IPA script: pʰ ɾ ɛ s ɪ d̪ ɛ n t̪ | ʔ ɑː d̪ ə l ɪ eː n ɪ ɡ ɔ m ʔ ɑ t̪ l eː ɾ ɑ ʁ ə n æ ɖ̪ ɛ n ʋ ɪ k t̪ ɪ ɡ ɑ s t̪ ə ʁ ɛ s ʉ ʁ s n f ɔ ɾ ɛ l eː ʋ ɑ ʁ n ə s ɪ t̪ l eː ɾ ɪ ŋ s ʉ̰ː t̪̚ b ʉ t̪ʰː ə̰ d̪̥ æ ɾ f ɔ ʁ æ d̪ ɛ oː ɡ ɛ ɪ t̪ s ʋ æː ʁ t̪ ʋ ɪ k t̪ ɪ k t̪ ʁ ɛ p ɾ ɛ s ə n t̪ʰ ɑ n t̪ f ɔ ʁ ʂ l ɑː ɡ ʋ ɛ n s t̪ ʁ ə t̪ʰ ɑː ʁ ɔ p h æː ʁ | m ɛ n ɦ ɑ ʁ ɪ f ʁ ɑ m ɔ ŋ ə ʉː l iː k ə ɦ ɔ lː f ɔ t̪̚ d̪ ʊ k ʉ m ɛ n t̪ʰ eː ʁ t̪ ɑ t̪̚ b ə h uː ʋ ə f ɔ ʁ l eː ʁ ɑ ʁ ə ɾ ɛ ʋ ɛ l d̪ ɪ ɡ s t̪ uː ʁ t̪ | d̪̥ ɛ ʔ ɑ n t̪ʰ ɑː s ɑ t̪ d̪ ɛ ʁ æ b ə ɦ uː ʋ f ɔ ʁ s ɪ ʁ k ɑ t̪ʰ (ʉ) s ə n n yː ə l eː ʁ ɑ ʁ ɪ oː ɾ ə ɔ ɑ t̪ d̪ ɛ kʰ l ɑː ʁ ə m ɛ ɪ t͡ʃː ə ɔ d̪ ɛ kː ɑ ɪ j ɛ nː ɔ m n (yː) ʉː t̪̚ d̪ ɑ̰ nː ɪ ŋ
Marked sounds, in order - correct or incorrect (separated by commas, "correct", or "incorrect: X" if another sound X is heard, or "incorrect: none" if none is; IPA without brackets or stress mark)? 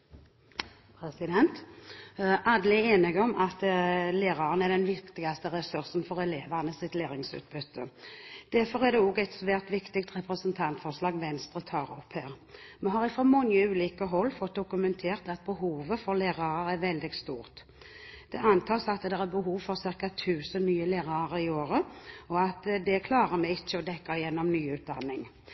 incorrect: ʉː, correct